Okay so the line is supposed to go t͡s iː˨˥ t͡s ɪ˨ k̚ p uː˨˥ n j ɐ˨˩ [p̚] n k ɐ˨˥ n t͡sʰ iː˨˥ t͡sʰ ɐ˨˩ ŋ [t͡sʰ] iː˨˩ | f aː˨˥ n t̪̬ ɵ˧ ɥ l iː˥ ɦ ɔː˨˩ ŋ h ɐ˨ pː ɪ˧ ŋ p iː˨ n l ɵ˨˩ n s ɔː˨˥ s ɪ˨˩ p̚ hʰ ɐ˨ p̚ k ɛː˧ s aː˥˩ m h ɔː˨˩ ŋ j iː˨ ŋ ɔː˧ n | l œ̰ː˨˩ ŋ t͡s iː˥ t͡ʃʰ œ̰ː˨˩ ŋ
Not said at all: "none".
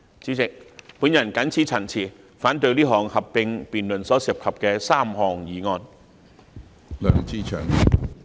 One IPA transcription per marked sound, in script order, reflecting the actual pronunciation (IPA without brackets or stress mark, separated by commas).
none, t͡sʰ